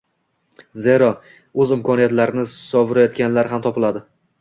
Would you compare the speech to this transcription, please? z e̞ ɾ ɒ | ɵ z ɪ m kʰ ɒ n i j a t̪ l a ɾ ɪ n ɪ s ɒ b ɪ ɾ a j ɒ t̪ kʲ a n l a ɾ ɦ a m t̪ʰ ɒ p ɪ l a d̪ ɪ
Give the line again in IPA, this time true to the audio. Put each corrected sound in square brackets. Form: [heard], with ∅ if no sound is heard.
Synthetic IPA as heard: z e̞ ɾ ɒ | ɵ z ɪ m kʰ ɒ n i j a t̪ l a ɾ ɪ n ɪ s ɒ [v] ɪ ɾ a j ɒ t̪ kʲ a n l a ɾ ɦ a m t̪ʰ ɒ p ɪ l a d̪ ɪ